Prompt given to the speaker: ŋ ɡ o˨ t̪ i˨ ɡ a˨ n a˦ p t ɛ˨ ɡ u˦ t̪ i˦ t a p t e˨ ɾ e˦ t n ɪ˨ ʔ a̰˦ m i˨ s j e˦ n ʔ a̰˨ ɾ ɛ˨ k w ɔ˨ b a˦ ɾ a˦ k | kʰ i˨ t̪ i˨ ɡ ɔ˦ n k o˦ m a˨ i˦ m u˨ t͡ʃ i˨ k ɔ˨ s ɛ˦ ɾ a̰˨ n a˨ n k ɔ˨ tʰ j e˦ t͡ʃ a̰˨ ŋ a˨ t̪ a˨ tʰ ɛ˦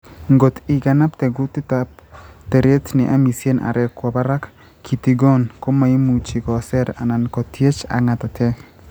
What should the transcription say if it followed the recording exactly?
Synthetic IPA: ŋ ɡ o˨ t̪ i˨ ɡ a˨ n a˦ p t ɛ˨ ɡ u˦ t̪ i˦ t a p t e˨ ɾ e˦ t n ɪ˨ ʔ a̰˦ m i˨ s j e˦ n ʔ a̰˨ ɾ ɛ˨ k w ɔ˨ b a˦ ɾ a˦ k | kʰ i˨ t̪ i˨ ɡ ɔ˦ n k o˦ m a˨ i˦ m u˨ t͡ʃ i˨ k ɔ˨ s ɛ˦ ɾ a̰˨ n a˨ n k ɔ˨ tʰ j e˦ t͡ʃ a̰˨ ŋ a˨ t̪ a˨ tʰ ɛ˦